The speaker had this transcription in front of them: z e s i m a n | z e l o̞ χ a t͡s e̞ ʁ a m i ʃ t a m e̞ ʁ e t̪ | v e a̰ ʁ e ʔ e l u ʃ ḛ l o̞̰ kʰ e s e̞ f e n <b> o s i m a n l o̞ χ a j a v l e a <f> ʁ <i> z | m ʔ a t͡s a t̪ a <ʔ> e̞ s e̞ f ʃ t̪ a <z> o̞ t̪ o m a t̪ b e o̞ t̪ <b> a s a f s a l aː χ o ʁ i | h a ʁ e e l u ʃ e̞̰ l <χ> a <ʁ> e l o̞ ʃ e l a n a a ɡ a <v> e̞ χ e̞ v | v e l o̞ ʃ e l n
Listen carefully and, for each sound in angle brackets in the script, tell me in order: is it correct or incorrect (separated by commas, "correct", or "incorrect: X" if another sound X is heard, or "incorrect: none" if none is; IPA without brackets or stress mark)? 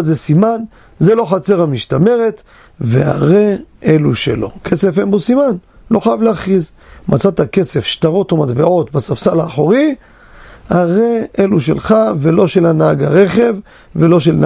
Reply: correct, incorrect: χ, correct, incorrect: k, incorrect: ʁ, correct, correct, incorrect: v, incorrect: ʁ